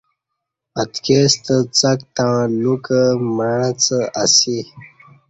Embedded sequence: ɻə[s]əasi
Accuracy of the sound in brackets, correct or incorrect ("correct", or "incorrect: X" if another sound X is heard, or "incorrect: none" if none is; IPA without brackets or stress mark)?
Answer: incorrect: t͡s